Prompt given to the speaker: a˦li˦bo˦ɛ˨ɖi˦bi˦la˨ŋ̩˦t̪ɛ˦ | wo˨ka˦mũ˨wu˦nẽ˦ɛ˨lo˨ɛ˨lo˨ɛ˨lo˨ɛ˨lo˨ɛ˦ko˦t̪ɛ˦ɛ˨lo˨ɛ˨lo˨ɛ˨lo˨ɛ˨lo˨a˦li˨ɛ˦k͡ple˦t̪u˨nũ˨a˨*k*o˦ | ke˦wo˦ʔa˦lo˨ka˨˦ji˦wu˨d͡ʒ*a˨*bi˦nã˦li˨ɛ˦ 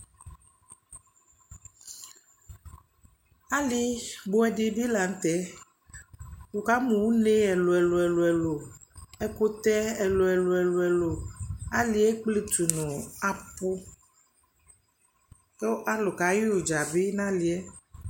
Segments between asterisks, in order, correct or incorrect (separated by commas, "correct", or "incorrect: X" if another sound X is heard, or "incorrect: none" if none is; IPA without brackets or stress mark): incorrect: p, correct